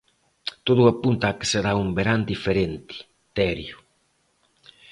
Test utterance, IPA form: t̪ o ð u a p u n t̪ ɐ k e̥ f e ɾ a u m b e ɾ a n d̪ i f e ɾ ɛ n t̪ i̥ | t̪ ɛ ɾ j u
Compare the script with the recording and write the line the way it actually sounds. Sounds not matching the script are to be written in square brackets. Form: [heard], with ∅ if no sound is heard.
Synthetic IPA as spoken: t̪ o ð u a p u n t̪ [a] k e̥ [s] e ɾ a u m b e ɾ a n d̪ i f e ɾ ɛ n t̪ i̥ | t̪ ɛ ɾ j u